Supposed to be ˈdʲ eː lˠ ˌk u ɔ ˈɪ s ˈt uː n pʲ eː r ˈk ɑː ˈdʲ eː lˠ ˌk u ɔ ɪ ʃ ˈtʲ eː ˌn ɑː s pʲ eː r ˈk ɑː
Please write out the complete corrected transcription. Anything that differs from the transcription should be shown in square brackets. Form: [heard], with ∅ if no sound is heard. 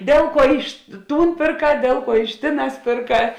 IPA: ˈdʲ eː lˠ ˌk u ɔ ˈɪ [ʃ] ˈt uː n pʲ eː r ˈk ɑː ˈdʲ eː lˠ ˌk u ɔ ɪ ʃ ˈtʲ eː ˌn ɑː s pʲ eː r ˈk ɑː

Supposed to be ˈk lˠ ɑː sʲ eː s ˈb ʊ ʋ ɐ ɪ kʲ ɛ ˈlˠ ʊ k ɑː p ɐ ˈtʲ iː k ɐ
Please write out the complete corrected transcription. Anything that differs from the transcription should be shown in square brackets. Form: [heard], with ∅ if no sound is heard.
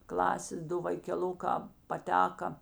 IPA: ˈk lˠ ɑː sʲ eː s [ˈd] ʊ ʋ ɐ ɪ kʲ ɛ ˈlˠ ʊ k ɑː p ɐ ˈtʲ [æː] k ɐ

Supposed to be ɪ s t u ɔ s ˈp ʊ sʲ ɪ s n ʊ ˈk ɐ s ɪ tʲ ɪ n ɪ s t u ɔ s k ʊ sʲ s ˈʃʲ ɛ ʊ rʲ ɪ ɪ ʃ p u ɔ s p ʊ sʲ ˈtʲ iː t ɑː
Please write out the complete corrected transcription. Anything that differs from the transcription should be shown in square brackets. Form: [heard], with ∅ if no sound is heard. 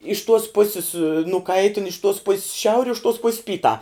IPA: ɪ [ʃ] t u ɔ s ˈp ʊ sʲ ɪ s n ʊ ˈk ɐ [∅] ɪ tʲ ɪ n ɪ [ʃ] t u ɔ s [p] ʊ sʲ s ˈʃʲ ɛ ʊ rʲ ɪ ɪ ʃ [t] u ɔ s p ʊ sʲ [ˈpʲ] iː t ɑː

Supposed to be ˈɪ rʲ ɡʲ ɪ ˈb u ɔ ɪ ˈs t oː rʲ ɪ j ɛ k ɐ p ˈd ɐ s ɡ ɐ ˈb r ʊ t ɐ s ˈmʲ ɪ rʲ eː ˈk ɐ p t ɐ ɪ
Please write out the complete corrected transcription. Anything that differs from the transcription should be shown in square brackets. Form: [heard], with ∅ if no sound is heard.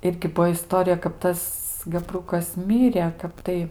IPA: ˈɪ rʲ ɡʲ ɪ ˈb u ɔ ɪ ˈs t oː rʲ ɪ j ɛ k ɐ p [ˈt] ɐ s ɡ ɐ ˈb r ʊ [k] ɐ s ˈmʲ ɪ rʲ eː ˈk ɐ p t ɐ ɪ

